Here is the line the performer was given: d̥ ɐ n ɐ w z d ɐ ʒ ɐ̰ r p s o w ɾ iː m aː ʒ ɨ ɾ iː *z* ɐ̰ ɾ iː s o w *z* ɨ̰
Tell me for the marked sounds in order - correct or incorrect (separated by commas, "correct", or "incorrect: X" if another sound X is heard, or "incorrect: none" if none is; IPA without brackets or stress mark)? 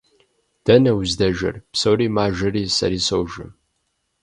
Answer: incorrect: s, incorrect: ʒ